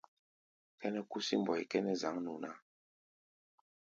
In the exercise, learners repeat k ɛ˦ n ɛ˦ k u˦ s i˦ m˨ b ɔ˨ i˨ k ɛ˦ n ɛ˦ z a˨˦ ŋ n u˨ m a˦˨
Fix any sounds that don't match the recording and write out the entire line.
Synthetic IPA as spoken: k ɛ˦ n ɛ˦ k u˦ s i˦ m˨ b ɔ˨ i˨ k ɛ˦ n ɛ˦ z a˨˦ ŋ n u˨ n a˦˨